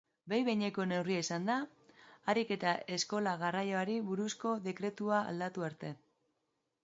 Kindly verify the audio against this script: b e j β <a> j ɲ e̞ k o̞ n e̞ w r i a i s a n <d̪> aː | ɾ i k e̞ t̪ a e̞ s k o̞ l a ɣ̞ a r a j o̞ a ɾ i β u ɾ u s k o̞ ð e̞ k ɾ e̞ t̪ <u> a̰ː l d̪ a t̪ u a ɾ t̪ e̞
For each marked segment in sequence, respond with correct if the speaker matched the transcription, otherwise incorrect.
incorrect, correct, correct

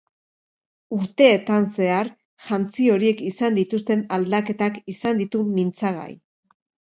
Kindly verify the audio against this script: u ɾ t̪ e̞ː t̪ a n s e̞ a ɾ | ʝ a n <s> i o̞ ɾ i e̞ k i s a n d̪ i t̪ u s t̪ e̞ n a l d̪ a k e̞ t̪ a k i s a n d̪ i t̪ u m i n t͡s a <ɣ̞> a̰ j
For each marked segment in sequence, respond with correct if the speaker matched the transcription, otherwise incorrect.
incorrect, correct

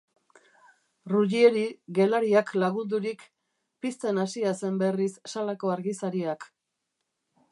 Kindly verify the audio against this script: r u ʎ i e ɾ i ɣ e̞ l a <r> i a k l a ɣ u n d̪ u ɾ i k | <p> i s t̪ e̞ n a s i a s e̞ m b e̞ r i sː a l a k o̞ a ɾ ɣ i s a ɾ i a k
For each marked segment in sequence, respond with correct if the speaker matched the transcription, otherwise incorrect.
incorrect, correct

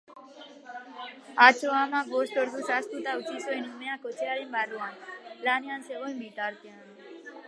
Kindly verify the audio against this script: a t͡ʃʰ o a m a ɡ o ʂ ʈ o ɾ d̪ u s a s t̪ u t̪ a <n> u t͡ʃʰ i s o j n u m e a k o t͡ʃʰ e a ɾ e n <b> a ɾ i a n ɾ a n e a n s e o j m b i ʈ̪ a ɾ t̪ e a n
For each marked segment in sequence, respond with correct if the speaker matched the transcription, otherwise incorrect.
incorrect, correct

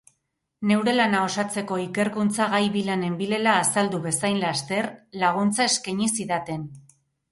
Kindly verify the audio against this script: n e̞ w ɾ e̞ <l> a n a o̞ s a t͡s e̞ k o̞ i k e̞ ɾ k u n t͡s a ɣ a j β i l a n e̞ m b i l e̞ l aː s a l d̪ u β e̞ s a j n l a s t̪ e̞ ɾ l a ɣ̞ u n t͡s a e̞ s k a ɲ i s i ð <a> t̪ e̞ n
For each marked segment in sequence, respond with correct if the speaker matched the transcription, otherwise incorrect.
correct, correct

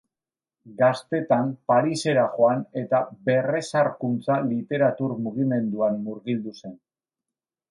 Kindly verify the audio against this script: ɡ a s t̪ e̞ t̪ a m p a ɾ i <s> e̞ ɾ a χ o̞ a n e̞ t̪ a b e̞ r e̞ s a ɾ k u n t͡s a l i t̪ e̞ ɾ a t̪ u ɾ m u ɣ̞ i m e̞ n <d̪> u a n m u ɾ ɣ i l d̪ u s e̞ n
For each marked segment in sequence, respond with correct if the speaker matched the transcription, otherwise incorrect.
correct, correct

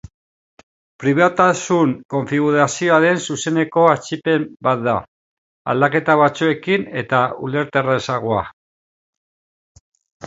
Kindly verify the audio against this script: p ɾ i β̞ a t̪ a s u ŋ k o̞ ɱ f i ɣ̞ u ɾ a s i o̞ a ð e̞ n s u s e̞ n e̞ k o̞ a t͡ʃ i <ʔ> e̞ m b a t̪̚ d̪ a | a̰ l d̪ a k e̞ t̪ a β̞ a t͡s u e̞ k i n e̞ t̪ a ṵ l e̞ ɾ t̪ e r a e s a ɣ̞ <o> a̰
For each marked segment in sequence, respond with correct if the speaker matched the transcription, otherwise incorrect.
incorrect, correct

